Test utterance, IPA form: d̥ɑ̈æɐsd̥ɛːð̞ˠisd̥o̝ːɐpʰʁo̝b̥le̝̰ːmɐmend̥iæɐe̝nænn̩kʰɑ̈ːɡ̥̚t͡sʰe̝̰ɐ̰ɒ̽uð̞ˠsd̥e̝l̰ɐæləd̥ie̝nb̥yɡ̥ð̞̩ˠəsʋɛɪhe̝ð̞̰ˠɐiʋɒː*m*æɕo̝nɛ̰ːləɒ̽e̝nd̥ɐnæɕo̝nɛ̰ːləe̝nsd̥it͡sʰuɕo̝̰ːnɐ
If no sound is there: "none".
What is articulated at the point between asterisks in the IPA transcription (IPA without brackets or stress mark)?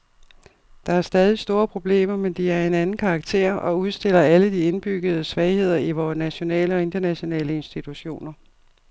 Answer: n